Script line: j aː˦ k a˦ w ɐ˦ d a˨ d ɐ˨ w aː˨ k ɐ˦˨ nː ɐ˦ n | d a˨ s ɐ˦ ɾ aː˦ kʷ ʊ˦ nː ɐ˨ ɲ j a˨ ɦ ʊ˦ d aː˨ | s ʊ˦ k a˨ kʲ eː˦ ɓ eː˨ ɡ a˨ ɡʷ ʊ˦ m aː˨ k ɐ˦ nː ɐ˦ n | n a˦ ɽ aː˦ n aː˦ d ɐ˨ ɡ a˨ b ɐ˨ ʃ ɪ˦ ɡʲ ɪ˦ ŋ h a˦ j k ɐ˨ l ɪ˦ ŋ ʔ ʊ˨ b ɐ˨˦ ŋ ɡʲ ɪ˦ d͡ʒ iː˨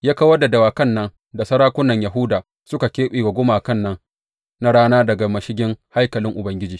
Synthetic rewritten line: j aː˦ k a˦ w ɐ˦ d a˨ d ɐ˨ w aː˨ k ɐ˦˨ nː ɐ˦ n | d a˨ s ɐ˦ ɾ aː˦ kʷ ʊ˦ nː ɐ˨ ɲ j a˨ ɦ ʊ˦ d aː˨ | s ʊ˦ k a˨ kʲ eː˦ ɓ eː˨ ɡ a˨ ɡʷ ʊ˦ m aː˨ k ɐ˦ nː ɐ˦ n | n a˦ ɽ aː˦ n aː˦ d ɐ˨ ɡ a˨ m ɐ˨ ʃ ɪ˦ ɡʲ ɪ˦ ŋ h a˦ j k ɐ˨ l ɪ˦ ŋ ʔ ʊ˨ b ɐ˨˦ ŋ ɡʲ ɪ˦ d͡ʒ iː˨